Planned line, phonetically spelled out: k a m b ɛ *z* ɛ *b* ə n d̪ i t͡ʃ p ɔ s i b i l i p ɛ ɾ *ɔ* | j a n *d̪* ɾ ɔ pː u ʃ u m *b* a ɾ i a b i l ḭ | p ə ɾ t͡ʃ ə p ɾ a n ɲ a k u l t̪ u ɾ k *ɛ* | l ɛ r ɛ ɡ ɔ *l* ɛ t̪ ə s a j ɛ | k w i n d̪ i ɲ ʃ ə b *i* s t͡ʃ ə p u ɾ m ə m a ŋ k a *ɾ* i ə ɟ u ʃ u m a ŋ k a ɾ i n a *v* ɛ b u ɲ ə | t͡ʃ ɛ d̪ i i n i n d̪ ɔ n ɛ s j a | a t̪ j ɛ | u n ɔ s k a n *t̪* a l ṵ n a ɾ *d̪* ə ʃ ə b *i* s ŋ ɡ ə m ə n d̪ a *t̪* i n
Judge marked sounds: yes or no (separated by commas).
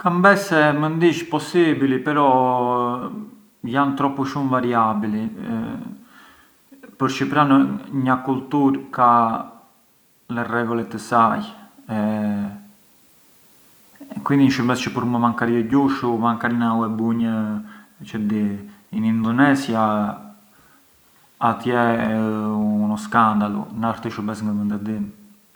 no, no, yes, no, no, no, yes, no, yes, no, no, no, no, no